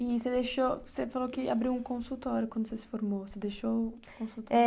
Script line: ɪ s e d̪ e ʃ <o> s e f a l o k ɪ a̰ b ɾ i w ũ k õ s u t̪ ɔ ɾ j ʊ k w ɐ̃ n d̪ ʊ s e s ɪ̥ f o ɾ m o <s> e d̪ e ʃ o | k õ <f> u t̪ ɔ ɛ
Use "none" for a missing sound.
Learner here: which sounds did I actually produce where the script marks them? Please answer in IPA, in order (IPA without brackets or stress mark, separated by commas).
o, s, s